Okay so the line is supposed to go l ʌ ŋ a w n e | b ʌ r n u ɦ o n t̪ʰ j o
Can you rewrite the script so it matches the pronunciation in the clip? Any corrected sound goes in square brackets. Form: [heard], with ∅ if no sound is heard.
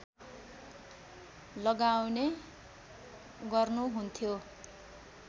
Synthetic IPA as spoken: l ʌ [ɡ] a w n e | [ɡ] ʌ r n u ɦ [u] n t̪ʰ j o